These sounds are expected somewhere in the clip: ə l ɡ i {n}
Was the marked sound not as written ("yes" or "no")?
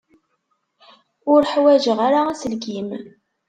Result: yes